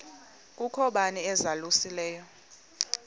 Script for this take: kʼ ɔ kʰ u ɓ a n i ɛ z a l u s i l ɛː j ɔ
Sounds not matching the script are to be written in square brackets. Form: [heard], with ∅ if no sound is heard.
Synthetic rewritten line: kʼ [u] kʰ [ɔ] ɓ a n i ɛ z a l u s i l ɛː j ɔ